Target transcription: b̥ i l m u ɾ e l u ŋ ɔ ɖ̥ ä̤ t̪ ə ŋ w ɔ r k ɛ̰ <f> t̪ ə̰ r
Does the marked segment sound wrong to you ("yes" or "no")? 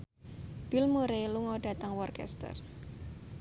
yes